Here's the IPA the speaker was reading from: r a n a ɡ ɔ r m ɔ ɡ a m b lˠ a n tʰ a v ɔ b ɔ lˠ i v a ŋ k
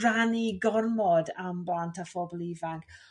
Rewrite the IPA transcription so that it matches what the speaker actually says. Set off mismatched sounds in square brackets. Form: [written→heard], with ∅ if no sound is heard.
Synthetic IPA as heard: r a n [a→i] ɡ ɔ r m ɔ [ɡ→d] a m b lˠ a n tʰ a [v→f] ɔ b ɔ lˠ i v a ŋ k